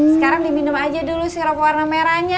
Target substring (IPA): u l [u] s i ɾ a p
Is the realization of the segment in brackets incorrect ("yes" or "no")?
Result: no